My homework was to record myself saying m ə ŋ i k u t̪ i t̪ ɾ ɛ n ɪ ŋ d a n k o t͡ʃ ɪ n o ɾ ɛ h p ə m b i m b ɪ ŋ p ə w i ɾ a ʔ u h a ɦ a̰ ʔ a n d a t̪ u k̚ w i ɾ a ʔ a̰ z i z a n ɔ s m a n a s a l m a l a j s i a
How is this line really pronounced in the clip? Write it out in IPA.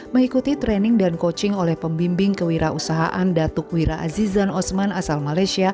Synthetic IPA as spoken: m ə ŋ i k u t̪ i t̪ ɾ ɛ n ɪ ŋ d a n k o t͡ʃ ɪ ŋ o l ɛ h p ə m b i m b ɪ ŋ k ə w i ɾ a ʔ u s a ɦ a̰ ʔ a n d a t̪ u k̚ w i ɾ a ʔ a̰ z i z a n ɔ s m a n a s a l m a l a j s i a